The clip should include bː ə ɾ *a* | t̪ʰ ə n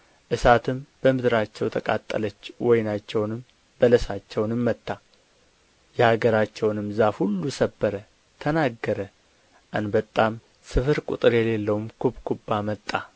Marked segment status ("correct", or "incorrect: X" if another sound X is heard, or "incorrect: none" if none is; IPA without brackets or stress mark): incorrect: ə